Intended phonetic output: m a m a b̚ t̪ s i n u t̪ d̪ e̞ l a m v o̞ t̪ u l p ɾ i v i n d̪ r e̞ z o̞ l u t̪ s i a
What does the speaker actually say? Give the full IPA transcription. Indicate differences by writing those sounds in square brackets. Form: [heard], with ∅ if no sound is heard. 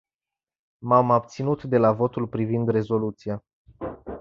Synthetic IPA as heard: m a m a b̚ t̪ s i n u t̪ d̪ e̞ l a [∅] v o̞ t̪ u l p ɾ i v i n d̪ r e̞ z o̞ l u t̪ s i a